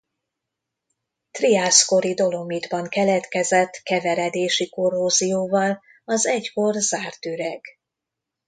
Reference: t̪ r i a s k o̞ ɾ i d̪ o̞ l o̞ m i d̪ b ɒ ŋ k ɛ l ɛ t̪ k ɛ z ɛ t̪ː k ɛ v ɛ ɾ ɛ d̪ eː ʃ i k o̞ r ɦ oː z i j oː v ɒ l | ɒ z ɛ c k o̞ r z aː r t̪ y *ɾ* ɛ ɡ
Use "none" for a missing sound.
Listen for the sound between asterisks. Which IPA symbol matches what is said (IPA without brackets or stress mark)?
ɾ